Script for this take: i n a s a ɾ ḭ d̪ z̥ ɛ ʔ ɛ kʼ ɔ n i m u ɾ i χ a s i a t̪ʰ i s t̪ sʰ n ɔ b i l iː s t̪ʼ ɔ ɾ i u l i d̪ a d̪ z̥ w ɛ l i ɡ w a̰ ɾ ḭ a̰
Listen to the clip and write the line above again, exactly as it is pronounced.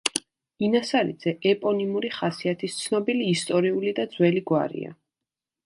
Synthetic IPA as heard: i n a s a ɾ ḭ d̪ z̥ ɛ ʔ ɛ pʼ ɔ n i m u ɾ i χ a s i a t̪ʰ i s t̪ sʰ n ɔ b i l iː s t̪ʼ ɔ ɾ i u l i d̪ a d̪ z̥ w ɛ l i ɡ w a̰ ɾ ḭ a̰